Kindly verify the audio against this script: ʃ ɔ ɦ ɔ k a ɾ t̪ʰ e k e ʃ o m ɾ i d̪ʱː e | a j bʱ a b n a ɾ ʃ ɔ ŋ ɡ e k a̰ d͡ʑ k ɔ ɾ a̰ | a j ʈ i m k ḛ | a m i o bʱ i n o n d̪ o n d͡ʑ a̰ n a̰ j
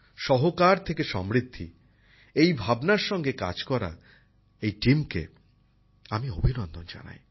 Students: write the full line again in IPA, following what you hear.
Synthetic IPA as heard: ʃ ɔ ɦ o k a ɾ t̪ʰ e k e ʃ ɔ m ɾ i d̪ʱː i | e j bʱ a b n a ɾ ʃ ɔ ŋ ɡ e k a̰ d͡ʑ k ɔ ɾ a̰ | e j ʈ i m k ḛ | a m i o bʱ i n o n d̪ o n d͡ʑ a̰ n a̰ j

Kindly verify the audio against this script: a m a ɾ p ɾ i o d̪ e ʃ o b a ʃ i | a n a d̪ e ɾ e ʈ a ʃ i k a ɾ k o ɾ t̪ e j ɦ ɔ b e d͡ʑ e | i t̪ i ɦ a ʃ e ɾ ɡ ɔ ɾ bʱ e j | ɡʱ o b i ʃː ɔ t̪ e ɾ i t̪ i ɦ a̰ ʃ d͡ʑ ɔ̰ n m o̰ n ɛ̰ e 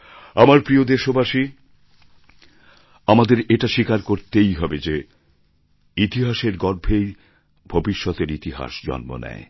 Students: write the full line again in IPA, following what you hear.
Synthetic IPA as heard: a m a ɾ p ɾ i o d̪ e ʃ o b a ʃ i | a m a d̪ e ɾ e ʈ a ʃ i k a ɾ k o ɾ t̪ e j ɦ ɔ b e d͡ʑ e | i t̪ i ɦ a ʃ e ɾ ɡ ɔ ɾ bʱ e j | bʱ o b i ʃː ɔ t̪ e ɾ i t̪ i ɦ a̰ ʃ d͡ʑ ɔ̰ n m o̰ n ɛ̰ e

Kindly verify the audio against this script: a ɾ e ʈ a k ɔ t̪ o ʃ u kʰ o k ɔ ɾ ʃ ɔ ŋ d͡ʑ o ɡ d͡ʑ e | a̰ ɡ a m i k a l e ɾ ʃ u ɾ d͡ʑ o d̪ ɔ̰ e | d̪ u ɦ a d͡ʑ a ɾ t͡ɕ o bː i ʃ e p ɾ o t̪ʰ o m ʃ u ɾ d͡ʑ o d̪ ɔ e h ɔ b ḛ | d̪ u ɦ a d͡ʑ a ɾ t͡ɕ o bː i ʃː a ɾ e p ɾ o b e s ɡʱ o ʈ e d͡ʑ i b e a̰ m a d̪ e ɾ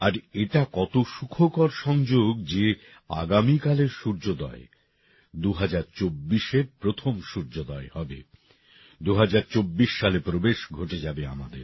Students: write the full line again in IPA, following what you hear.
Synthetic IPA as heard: a ɾ e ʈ a k ɔ t̪ o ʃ u kʰ o k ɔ ɾ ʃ ɔ ŋ d͡ʑ o ɡ d͡ʑ e | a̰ ɡ a m i k a l e ɾ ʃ u ɾ d͡ʑ o d̪ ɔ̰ e | d̪ u ɦ a d͡ʑ a ɾ t͡ɕ o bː i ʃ e p ɾ o t̪ʰ o m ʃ u ɾ d͡ʑ o d̪ ɔ e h ɔ b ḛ | d̪ u ɦ a d͡ʑ a ɾ t͡ɕ o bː i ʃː a l e p ɾ o b e ʃ ɡʱ o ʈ e d͡ʑ a b e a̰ m a d̪ e ɾ

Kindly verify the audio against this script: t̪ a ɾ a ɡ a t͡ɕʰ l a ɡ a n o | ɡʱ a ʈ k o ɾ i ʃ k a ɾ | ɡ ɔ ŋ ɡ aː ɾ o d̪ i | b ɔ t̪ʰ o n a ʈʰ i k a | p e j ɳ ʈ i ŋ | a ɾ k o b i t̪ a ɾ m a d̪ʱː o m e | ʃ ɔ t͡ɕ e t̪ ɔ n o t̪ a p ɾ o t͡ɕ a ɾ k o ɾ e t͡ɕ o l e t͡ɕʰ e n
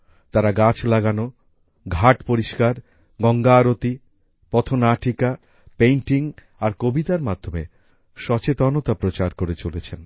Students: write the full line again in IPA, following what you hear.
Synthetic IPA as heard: t̪ a ɾ a ɡ a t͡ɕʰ l a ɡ a n o | ɡʱ a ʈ p o ɾ i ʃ k a ɾ | ɡ ɔ ŋ ɡ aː ɾ o t̪ i | p ɔ t̪ʰ o n a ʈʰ i k a | p e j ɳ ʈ i ŋ | a ɾ k o b i t̪ a ɾ m a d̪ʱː o m e | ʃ ɔ t͡ɕ e t̪ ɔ n o t̪ a p ɾ o t͡ɕ a ɾ k o ɾ e t͡ɕ o l e t͡ɕʰ e n

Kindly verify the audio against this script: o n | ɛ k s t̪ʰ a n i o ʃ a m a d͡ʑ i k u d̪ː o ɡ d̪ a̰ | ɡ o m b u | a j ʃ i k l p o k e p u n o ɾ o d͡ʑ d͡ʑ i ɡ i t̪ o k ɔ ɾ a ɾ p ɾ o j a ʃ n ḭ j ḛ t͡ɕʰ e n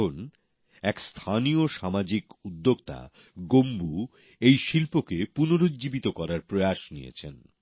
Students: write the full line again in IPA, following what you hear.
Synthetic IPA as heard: o n | ɛ k s t̪ʰ a n i o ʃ a m a d͡ʑ i k u d̪ː o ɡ t̪ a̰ | ɡ o m b u | e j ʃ i l p o k e p u n o ɾ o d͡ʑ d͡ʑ i b i t̪ o k ɔ ɾ a ɾ p ɾ o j a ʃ n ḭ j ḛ t͡ɕʰ e n

